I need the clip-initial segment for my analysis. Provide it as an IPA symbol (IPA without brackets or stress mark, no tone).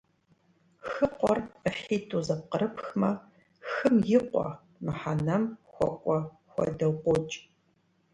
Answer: x